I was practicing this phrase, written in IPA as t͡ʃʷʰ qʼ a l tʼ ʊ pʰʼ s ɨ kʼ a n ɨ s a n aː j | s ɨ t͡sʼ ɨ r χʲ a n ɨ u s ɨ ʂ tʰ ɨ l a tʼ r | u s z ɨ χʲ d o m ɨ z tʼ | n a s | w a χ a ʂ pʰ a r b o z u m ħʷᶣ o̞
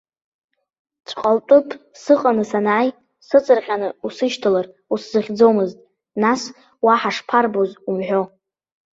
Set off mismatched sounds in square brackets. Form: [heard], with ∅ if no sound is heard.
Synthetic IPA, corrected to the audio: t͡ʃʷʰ qʼ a l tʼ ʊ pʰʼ s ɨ [qʼ] a n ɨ s a n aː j | s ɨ t͡sʼ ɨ r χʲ a n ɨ u s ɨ [ʃ] tʰ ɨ l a [∅] r | u s z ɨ χʲ [d͡z] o m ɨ z tʼ | n a s | w a [ħ] a ʂ pʰ a r b o z u m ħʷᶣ o̞